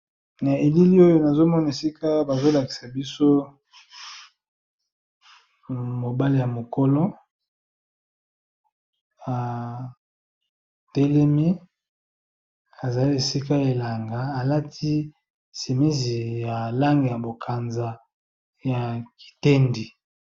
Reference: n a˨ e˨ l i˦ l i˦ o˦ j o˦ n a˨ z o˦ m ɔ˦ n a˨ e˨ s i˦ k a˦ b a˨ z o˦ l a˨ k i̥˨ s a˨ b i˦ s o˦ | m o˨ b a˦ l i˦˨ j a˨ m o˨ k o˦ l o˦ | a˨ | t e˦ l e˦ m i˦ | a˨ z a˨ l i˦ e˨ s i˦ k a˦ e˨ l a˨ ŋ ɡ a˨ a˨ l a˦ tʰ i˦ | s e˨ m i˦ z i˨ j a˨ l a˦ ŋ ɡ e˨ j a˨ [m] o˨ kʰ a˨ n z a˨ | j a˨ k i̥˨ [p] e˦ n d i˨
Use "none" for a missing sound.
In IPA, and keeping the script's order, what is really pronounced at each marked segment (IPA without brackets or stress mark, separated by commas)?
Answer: b, t